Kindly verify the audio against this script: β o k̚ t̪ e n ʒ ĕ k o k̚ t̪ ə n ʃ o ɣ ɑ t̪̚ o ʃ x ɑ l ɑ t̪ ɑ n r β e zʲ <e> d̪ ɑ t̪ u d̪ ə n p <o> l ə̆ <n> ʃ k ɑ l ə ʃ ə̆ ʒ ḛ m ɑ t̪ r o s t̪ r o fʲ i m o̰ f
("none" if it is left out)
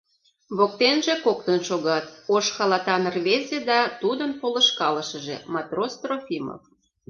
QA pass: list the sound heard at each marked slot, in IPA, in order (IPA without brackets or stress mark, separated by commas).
e, o, none